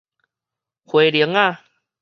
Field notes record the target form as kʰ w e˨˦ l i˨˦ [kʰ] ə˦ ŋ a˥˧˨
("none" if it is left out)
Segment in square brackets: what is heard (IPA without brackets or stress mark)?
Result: none